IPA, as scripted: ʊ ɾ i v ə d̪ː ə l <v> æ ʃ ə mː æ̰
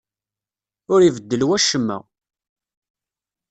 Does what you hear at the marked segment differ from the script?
yes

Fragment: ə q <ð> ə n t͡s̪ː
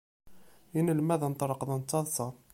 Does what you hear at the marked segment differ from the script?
no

